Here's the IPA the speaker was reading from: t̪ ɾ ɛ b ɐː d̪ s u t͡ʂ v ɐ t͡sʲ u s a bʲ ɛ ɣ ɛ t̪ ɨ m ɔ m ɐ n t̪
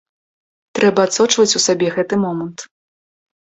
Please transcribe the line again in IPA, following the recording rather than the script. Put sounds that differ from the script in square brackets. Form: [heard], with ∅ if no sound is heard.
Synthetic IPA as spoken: t̪ ɾ ɛ b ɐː [t̪] s [ɔ] t͡ʂ v ɐ t͡sʲ u s a bʲ ɛ ɣ ɛ t̪ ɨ m ɔ m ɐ n t̪